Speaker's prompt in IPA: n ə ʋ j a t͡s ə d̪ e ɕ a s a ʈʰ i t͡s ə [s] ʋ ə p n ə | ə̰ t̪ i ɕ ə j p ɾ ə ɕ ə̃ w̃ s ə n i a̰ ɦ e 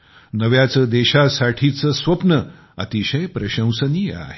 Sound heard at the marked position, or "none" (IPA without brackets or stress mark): s